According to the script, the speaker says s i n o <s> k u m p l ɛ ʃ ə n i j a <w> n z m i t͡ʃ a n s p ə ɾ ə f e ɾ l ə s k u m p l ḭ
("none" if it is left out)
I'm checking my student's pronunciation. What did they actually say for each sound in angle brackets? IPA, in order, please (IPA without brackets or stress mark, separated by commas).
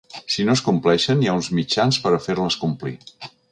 s, u